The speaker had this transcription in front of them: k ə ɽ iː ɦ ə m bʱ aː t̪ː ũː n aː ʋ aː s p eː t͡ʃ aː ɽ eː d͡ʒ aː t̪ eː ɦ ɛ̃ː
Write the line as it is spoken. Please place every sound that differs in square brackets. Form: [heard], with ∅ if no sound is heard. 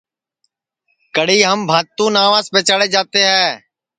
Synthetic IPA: k ə ɽ iː ɦ ə m bʱ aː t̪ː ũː n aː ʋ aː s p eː t͡ʃ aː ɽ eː d͡ʒ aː t̪ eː ɦ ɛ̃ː